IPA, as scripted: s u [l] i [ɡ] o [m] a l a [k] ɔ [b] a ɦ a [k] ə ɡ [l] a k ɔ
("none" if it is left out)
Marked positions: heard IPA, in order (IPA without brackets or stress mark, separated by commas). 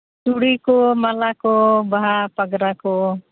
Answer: ɽ, k, m, k, b, p, ɾ